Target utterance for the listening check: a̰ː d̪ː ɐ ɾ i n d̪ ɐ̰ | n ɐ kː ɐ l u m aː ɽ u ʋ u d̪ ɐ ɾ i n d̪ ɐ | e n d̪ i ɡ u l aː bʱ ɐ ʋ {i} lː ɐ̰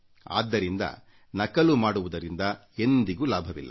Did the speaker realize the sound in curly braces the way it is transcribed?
yes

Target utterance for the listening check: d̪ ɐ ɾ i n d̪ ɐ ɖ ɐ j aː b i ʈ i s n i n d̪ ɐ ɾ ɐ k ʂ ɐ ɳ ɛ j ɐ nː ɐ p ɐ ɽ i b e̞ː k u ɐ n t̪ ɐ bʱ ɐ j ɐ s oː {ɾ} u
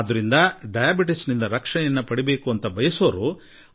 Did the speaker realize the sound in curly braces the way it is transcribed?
yes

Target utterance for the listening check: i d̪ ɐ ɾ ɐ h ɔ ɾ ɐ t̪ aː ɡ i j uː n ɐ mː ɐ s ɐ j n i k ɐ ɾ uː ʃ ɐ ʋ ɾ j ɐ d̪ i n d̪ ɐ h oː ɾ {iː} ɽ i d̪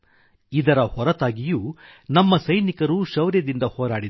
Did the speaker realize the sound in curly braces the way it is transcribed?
no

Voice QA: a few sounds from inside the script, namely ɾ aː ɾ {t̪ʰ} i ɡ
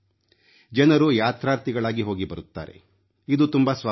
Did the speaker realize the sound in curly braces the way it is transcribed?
no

